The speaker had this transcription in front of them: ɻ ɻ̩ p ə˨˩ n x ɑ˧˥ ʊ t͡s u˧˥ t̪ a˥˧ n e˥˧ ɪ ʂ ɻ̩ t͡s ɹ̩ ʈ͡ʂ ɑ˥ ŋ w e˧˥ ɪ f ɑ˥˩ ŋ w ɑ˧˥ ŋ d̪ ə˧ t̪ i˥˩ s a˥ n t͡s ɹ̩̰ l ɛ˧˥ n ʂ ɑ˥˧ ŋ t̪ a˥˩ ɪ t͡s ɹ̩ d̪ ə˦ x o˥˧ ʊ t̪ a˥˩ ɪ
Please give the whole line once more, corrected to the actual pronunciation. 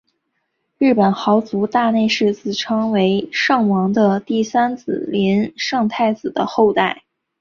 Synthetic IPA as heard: ɻ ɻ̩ p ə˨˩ n x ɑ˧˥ ʊ t͡s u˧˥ t̪ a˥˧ n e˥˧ ɪ ʂ ɻ̩ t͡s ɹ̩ ʈ͡ʂʰ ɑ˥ ŋ w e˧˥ ɪ ʂ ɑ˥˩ ŋ w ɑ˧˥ ŋ d̪ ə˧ t̪ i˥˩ s a˥ n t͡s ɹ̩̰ l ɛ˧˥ n ʂ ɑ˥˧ ŋ t̪ʰ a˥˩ ɪ t͡s ɹ̩ d̪ ə˦ x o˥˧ ʊ t̪ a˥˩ ɪ

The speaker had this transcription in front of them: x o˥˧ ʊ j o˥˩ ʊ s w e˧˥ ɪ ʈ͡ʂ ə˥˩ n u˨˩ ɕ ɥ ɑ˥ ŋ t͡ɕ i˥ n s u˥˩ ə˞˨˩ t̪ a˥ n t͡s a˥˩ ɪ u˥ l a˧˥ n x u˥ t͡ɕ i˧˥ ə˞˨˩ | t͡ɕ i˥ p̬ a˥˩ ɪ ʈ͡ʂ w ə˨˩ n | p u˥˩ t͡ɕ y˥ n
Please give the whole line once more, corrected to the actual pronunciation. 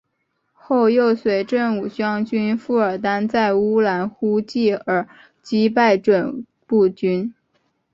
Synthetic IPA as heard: x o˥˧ ʊ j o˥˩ ʊ s w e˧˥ ɪ ʈ͡ʂ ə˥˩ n u˨˩ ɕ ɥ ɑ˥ ŋ t͡ɕ y˥ n f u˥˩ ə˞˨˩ t̪ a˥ n t͡s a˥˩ ɪ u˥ l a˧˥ n x u˥ t͡ɕ i˥˩ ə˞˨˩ | t͡ɕ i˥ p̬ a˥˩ ɪ ʈ͡ʂ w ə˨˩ n | p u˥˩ t͡ɕ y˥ n

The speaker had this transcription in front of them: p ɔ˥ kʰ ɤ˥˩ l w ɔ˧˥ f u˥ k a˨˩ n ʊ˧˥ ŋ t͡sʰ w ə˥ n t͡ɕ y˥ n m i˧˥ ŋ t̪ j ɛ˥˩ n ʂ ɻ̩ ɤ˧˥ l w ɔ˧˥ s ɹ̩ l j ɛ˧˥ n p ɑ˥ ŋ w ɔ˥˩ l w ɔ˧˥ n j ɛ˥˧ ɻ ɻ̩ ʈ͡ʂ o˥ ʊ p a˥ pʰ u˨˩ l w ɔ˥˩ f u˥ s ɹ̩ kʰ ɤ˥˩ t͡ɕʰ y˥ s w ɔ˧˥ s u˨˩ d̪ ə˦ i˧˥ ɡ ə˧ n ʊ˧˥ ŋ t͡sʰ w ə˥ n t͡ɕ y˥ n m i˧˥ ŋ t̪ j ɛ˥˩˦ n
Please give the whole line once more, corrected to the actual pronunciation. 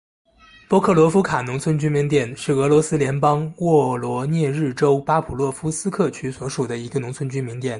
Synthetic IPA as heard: p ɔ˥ kʰ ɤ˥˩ l w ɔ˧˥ f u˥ kʰ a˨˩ n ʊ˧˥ ŋ t͡sʰ w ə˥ n t͡ɕ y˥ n m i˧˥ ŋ t̪ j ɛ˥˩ n ʂ ɻ̩ ɤ˧˥ l w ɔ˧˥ s ɹ̩ l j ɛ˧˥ n p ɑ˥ ŋ w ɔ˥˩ l w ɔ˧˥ n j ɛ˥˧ ɻ ɻ̩ ʈ͡ʂ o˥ ʊ p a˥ pʰ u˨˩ l w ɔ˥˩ f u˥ s ɹ̩ kʰ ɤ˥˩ t͡ɕʰ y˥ s w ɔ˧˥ ʂ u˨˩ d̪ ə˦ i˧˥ ɡ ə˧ n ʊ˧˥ ŋ t͡sʰ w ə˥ n t͡ɕ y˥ n m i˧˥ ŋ t̪ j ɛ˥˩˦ n

